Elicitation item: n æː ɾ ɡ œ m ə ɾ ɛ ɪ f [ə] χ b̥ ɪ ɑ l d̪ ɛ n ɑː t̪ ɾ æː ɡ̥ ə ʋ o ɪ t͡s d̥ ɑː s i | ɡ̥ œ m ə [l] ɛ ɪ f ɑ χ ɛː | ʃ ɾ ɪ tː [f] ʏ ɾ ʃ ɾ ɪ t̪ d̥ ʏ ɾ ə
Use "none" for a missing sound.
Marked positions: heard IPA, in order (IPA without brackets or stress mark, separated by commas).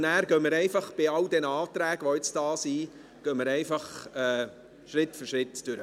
ɑ, ɾ, f